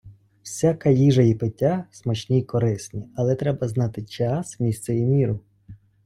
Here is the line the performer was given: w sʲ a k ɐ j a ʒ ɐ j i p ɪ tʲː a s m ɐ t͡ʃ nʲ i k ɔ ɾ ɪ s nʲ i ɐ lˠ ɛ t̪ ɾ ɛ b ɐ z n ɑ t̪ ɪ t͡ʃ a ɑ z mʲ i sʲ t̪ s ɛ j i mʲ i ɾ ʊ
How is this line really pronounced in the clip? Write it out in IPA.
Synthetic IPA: w sʲ a k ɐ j i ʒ ɐ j i p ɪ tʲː a s m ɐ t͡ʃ nʲ i k ɔ ɾ ɪ s nʲ i ɐ lˠ ɛ t̪ ɾ ɛ b ɐ z n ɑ t̪ ɪ t͡ʃ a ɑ s mʲ i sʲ t̪ s ɛ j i mʲ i ɾ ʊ

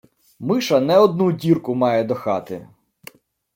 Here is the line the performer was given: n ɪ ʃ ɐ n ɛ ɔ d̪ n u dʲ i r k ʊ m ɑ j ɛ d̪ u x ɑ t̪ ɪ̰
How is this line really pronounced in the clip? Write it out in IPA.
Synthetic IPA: m ɪ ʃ ɐ n ɛ ɔ d̪ n u dʲ i r k ʊ m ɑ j ɛ d̪ ɔ x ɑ t̪ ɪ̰

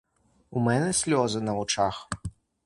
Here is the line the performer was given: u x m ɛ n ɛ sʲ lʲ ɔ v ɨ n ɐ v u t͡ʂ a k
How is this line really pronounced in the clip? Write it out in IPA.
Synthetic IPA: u m ɛ n ɛ sʲ lʲ ɔ z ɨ n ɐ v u t͡ʂ a x

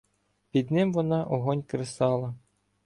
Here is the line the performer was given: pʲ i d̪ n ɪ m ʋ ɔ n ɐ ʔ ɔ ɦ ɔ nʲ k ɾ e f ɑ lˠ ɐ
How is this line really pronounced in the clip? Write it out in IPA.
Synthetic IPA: pʲ i d̪ n ɪ m ʋ ɔ n ɑ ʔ ɔ ɦ ɔ nʲ k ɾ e s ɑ lˠ ɐ

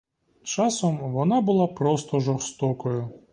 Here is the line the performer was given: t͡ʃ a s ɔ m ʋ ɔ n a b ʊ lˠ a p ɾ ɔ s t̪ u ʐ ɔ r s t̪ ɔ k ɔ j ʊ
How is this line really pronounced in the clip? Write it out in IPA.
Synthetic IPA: t͡ʃ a s ɔ m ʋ ɔ n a b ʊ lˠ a p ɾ ɔ s t̪ ɔ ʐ ɔ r s t̪ ɔ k ɔ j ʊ

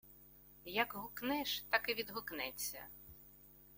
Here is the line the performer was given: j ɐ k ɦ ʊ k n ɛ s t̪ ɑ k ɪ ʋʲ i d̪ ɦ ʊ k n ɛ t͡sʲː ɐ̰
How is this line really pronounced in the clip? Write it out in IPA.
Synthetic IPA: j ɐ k ɦ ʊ k n ɛ ʃ t̪ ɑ k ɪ ʋʲ i d̪ ɦ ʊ k n ɛ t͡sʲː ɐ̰

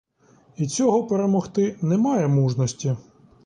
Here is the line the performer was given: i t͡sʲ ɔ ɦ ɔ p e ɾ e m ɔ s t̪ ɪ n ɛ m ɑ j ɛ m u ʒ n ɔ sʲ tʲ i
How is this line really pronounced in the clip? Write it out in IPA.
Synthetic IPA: i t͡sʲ ɔ ɦ ɔ p e ɾ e m ɔ x t̪ ɪ n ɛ m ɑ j ɛ m u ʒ n ɔ sʲ tʲ i

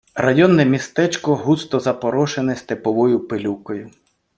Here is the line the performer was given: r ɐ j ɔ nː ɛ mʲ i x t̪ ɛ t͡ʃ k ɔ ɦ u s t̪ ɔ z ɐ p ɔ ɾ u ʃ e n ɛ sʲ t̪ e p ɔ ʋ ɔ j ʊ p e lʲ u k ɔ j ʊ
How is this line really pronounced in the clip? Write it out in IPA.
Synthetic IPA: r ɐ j ɔ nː ɛ mʲ i s t̪ ɛ t͡ʃ k ɔ ɦ u s t̪ ɔ z ɐ p ɔ ɾ ɔ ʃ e n ɛ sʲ t̪ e p ɔ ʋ ɔ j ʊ p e lʲ u k ɔ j ʊ

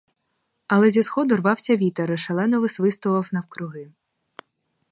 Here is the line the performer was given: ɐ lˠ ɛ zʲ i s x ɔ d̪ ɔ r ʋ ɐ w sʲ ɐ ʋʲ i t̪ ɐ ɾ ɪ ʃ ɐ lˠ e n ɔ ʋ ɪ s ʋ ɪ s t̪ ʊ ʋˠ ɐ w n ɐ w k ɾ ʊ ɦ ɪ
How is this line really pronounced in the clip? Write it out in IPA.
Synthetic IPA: ɐ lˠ ɛ zʲ i s x ɔ d̪ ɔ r ʋ ɑ w sʲ ɐ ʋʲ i t̪ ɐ ɾ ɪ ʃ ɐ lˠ ɛ n ɔ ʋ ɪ s ʋ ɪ s t̪ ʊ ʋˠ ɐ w n ɐ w k ɾ ʊ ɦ ɪ

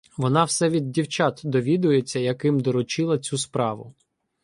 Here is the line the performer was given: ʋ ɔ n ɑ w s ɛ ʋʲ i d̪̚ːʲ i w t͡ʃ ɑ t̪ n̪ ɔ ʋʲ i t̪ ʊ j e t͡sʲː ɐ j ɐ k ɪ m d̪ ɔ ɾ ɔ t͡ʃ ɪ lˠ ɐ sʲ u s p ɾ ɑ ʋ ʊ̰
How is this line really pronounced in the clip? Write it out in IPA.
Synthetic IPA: ʋ ɔ n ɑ w s ɛ ʋʲ i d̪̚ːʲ i w t͡ʃ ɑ t̪ d̪ ɔ ʋʲ i d̪ ʊ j e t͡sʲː ɐ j ɐ k ɪ m d̪ ɔ ɾ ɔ t͡ʃ ɪ lˠ ɐ t͡sʲ u s p ɾ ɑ ʋ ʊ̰

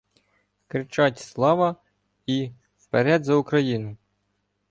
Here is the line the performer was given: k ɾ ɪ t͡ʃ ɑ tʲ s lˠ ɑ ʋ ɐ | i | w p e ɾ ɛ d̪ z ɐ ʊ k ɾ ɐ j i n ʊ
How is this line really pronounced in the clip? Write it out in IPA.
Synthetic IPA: k ɾ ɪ t͡ʃ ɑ tʲ s lˠ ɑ ʋ ɐ | i | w p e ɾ ɛ d̪ z ɐ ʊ k ɾ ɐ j i n ʊ

